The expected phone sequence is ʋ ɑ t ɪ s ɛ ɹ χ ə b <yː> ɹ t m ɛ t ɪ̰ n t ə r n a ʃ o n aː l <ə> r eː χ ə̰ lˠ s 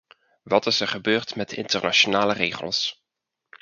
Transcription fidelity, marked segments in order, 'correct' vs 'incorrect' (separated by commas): incorrect, correct